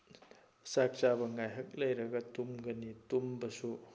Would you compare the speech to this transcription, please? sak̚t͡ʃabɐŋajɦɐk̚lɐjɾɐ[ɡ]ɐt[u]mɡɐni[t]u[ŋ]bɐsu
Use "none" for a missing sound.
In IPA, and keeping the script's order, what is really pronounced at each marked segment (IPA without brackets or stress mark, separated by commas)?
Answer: ɡ, u, t, m